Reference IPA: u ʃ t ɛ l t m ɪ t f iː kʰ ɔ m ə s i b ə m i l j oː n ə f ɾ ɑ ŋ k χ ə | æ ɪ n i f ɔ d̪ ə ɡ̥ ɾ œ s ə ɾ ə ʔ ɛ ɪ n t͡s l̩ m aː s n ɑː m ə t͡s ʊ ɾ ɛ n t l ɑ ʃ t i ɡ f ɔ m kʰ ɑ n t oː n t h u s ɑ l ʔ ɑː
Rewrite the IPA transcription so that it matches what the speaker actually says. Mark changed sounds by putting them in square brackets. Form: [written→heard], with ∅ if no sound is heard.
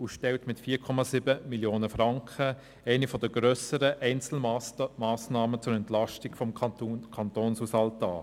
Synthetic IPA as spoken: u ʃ t ɛ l t m ɪ t f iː kʰ ɔ m [ə→ɑ] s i b ə m i l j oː n ə f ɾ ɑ ŋ k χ ə | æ ɪ n i f ɔ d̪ ə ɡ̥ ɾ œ s ə ɾ ə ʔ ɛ ɪ n t͡s l̩ m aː s n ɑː m ə t͡s ʊ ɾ ɛ n t l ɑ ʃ t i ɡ f ɔ m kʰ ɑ n t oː n [t→s] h u s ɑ l [ʔ→t] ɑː

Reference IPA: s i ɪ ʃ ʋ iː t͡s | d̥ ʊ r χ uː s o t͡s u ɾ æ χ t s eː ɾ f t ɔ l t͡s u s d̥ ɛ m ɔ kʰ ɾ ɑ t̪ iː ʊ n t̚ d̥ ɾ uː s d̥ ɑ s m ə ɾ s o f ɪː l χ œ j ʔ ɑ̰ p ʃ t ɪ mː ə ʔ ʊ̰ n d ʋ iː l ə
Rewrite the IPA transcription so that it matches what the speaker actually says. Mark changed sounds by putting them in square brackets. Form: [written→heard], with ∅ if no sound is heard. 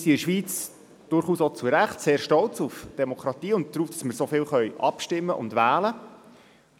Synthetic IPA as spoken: s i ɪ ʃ ʋ iː t͡s | d̥ ʊ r χ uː s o t͡s u ɾ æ χ t s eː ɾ [f→ʃ] t ɔ l t͡s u [s→f] d̥ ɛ m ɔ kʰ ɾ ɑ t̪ iː ʊ n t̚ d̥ ɾ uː [s→f] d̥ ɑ s m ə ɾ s o f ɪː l χ œ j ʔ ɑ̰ p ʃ t ɪ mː ə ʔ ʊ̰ n d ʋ [iː→æː] l ə

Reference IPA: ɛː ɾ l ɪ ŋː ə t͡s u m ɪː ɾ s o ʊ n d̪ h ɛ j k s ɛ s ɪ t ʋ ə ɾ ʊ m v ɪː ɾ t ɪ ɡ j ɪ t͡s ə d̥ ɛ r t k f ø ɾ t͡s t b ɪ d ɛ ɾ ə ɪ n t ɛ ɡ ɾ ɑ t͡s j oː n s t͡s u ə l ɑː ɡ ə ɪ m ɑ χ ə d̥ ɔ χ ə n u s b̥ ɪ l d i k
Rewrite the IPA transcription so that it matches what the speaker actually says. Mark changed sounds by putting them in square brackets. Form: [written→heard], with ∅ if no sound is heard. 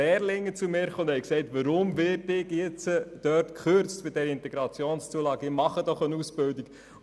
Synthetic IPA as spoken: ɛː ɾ l ɪ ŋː ə t͡s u m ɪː ɾ [s→χ] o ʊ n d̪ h ɛ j k s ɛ [s→∅] ɪ t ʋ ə ɾ ʊ m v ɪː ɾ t ɪ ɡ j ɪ t͡s ə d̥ [ɛ→œ] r t k [f→χ] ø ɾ t͡s t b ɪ d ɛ ɾ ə ɪ n t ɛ ɡ ɾ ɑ t͡s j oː n s t͡s u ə l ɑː ɡ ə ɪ m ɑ χ ə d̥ ɔ χ ə n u s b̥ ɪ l d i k

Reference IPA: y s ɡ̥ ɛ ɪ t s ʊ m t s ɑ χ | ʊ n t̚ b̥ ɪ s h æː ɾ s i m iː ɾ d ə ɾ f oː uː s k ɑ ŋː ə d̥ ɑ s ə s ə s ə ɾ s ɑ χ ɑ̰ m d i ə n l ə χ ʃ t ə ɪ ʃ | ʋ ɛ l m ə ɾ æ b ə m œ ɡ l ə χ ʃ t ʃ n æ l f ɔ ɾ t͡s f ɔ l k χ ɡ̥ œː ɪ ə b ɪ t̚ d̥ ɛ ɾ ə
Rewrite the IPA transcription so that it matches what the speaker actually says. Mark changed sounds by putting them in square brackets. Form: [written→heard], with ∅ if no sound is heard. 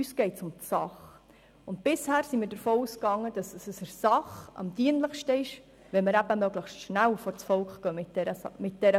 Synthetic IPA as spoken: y s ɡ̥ ɛ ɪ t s ʊ m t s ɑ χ | ʊ n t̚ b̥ ɪ s h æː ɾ s i m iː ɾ d ə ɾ f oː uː s k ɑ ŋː ə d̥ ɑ s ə s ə s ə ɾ s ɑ χ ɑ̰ m d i ə n l ə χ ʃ t ə ɪ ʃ | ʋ ɛ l m ə ɾ æ b ə m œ ɡ l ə χ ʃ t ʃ n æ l f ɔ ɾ t͡s f ɔ l k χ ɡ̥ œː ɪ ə [b→m] ɪ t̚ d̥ ɛ ɾ ə

